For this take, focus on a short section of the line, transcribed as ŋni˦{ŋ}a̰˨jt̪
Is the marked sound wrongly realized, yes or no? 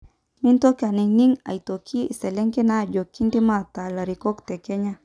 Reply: no